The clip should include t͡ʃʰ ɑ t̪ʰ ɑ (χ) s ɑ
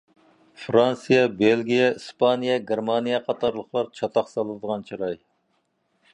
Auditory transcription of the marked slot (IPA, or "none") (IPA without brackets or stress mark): χ